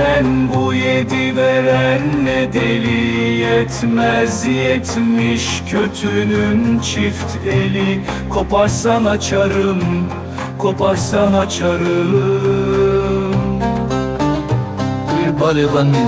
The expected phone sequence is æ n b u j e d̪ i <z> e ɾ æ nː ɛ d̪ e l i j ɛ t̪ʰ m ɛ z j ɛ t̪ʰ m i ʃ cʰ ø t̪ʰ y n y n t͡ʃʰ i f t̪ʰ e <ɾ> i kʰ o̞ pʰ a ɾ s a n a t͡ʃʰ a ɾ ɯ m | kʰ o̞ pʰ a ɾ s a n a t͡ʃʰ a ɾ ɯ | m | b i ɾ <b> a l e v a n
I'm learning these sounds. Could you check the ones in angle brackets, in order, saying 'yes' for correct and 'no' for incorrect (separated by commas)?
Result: no, no, yes